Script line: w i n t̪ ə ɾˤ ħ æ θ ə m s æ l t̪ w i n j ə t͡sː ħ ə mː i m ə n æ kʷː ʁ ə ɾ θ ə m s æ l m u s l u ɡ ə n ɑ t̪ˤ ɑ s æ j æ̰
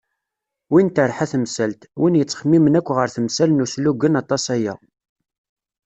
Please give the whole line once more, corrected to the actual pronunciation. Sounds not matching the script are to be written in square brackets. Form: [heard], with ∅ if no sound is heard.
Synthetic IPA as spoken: w i n t̪ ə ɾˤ ħ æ θ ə m s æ l t̪ w i n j ə t͡sː [χ] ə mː i m ə n æ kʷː ʁ ə ɾ θ ə m s æ l [n] u s l u ɡ ə n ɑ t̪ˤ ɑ s æ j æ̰